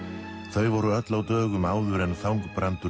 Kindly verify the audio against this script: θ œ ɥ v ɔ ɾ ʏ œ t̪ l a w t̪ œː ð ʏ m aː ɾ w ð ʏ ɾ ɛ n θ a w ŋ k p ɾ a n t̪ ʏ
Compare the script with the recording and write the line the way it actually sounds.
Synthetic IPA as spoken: θ œ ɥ v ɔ ɾ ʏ œ t̪ l a w t̪ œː ɣ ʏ m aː w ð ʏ ɾ ɛ n θ a w ŋ k p ɾ a n t̪ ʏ